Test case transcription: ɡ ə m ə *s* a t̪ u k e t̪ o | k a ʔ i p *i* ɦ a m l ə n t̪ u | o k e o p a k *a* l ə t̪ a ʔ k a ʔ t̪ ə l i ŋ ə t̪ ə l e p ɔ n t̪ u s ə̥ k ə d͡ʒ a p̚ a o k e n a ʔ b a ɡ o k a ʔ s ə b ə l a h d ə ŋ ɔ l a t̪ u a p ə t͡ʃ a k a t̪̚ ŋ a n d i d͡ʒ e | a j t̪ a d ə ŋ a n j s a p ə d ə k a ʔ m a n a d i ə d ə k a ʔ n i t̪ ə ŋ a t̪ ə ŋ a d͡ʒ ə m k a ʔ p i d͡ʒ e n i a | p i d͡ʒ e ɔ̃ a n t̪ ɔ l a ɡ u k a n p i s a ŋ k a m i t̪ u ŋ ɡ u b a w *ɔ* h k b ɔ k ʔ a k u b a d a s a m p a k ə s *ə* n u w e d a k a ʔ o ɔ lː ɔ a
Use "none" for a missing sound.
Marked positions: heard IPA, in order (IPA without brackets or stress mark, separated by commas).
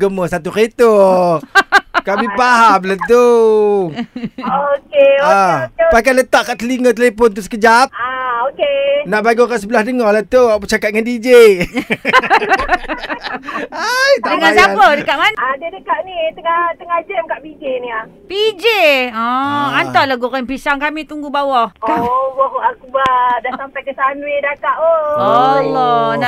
s, a, a, ɔ, a